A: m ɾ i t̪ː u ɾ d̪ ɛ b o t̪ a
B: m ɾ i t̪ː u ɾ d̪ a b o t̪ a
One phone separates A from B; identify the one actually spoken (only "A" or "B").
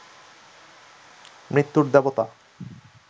A